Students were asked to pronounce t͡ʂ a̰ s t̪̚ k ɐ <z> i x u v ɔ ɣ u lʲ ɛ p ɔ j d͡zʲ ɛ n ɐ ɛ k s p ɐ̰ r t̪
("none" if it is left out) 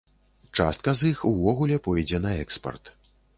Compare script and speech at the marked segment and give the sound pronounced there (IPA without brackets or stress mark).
z